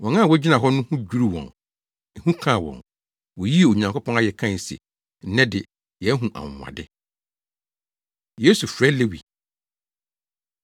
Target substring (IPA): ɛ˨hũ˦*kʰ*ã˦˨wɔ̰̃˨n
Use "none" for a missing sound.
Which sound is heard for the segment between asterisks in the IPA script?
kʰ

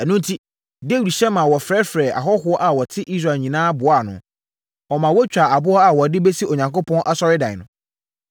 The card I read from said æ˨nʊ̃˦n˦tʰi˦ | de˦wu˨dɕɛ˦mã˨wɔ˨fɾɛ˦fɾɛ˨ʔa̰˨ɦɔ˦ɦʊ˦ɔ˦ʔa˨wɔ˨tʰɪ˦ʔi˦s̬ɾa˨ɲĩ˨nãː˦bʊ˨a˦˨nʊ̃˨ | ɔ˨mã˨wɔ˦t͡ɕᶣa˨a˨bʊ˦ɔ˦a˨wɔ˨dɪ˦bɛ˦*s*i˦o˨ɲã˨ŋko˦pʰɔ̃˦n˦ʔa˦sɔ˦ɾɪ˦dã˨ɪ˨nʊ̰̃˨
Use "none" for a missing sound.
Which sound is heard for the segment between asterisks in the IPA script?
s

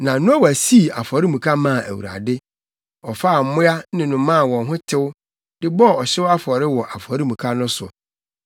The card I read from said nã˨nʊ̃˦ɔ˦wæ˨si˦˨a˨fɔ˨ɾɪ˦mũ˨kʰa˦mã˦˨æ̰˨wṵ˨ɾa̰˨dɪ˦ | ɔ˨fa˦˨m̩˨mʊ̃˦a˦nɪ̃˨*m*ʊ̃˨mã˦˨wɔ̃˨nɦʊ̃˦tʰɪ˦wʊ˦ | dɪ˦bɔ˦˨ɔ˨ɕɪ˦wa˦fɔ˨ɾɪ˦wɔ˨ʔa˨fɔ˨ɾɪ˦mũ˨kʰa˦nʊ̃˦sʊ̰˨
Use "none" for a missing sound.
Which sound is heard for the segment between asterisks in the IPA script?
n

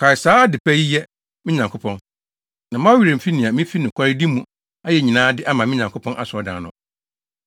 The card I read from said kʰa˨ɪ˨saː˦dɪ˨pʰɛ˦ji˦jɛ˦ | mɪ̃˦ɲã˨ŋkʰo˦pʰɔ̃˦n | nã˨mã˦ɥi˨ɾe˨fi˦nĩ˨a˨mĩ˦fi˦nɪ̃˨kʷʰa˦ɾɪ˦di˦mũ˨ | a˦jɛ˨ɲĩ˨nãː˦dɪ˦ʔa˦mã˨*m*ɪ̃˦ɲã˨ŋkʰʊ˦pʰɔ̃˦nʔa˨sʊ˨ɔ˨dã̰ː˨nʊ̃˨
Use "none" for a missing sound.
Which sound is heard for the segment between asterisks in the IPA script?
m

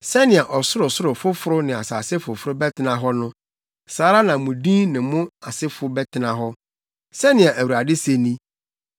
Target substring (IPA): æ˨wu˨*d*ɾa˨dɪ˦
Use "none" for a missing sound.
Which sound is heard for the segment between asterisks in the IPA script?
none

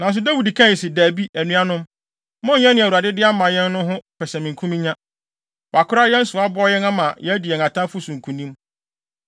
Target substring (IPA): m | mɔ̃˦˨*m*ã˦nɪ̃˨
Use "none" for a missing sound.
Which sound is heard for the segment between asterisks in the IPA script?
ɲ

